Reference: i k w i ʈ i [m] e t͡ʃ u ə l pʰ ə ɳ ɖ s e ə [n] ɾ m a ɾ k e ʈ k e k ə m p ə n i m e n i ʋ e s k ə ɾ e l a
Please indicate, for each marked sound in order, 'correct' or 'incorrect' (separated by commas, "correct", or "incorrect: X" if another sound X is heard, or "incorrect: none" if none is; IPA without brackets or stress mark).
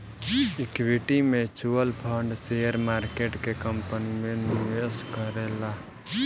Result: correct, incorrect: none